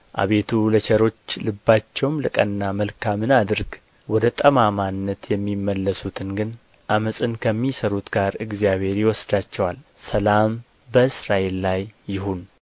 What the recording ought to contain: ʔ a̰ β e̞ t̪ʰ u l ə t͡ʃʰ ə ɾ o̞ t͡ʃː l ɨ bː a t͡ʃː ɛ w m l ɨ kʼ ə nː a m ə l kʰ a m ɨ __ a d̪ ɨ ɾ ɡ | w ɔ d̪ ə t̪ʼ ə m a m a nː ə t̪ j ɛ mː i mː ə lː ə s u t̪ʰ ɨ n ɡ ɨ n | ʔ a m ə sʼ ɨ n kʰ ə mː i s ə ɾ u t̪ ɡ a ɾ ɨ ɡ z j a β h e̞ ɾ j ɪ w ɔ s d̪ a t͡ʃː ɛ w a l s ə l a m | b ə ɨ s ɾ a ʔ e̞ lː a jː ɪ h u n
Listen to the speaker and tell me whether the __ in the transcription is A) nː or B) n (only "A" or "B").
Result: B